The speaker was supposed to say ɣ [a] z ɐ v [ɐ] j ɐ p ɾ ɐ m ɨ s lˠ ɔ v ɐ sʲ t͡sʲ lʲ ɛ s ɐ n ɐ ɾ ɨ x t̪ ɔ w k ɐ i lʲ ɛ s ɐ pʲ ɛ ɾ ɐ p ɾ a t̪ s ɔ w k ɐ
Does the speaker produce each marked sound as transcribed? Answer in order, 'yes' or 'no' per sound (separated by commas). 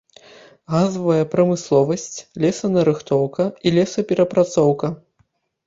yes, yes